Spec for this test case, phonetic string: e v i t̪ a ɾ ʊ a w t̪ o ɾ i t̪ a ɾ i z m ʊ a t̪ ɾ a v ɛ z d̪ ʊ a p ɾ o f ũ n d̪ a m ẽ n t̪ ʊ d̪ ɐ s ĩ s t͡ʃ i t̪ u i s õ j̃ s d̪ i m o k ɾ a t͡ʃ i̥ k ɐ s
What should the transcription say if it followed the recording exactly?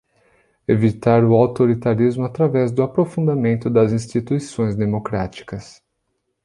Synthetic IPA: e v i t̪ a ɾ ʊ a w t̪ o ɾ i t̪ a ɾ i z m ʊ a t̪ ɾ a v ɛ z d̪ ʊ a p ɾ o f ũ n d̪ a m ẽ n t̪ ʊ d̪ ɐ z ĩ s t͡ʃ i t̪ u i s õ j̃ z d̪ e m o k ɾ a t͡ʃ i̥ k ɐ s